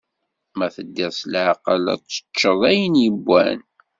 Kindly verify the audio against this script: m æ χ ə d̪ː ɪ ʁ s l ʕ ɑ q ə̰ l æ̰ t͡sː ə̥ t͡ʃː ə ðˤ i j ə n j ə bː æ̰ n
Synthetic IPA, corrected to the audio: m æ θ ə d̪ː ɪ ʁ s l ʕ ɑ q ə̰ l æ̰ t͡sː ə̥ t͡ʃː ə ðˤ æ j ə n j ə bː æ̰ n